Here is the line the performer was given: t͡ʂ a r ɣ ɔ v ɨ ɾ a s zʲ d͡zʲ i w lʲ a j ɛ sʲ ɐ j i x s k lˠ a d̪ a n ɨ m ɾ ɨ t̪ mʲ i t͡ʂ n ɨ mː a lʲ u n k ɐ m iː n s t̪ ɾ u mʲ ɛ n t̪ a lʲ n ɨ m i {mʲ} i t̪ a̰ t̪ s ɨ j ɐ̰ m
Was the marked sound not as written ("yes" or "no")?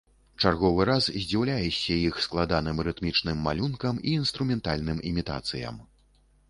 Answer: no